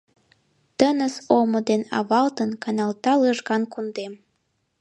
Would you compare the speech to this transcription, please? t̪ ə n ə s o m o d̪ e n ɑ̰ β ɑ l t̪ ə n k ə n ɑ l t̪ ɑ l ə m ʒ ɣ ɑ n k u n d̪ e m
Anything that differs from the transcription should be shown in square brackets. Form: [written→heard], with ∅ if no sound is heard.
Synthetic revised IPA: t̪ ə n ə s o m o d̪ e n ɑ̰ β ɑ l t̪ ə n k [ə→ɑ] n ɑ l t̪ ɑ l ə [m→∅] ʒ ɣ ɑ n k u n d̪ e m